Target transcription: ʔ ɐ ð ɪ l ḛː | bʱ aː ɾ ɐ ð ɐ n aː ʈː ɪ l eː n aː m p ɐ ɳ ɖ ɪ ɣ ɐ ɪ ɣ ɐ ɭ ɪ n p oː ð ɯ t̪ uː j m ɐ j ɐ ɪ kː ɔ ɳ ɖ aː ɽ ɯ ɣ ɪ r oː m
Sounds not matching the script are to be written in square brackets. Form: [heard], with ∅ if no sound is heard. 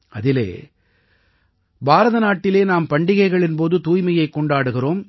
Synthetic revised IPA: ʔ ɐ ð ɪ l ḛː | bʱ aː ɾ ɐ ð ɐ n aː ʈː ɪ l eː n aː m p ɐ ɳ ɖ ɪ ɣ ɐ ɪ ɣ ɐ ɭ ɪ n p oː ð ɯ t̪ uː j m ɐ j ɐ ɪ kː ɔ ɳ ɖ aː ɽ ɯ ɣ ɪ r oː m